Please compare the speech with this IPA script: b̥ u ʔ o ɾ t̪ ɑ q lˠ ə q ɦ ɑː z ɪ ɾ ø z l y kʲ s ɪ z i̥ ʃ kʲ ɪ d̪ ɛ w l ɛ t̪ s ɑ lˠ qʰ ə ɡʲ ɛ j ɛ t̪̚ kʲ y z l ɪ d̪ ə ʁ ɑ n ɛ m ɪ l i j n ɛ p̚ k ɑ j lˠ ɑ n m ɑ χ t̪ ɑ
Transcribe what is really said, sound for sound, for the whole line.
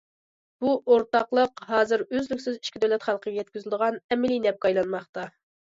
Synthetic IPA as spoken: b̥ u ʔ o ɾ t̪ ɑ q lˠ ə q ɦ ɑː z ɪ ɾ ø z l y kʲ s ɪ z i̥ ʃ kʲ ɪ d̪ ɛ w l ɛ t̪ χ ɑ lˠ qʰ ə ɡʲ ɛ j ɛ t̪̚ kʲ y z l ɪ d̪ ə ʁ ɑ n ɛ m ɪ l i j n ɛ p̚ k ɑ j lˠ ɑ n m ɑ χ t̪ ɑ